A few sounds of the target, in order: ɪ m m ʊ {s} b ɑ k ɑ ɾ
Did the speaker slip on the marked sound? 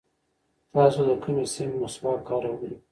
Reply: no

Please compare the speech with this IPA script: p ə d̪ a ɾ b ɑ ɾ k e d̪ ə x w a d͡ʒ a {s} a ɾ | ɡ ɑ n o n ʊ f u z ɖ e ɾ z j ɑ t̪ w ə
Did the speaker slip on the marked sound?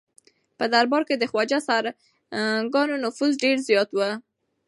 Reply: no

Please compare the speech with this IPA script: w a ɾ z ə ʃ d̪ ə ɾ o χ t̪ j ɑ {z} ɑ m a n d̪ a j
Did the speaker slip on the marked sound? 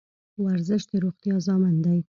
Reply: no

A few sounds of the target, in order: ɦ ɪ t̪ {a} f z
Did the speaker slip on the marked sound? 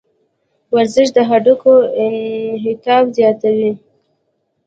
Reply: yes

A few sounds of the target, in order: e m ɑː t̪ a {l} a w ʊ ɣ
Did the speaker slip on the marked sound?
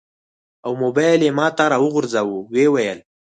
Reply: yes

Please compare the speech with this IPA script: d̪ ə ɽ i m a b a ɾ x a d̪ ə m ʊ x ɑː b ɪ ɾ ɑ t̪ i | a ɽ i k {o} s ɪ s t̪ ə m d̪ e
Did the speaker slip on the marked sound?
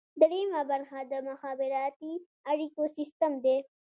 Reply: no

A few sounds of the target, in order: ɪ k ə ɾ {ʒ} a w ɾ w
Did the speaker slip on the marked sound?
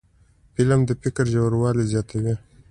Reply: no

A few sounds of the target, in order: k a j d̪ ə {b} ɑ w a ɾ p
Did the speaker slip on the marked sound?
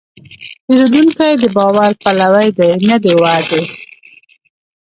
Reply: no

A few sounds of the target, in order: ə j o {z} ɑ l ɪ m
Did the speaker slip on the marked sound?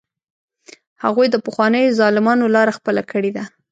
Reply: no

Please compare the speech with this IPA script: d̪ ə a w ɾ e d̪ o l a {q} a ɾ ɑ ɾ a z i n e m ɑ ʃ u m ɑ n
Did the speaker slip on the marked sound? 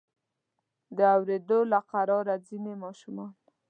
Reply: no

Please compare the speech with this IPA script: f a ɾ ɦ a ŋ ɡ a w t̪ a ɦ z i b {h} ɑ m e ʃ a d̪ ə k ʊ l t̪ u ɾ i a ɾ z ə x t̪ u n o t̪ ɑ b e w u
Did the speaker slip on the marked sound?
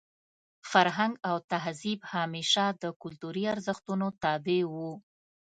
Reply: no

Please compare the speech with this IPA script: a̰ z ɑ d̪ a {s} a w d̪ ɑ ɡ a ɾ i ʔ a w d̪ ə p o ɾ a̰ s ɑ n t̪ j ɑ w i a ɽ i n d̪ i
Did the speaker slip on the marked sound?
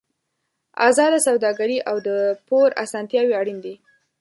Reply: no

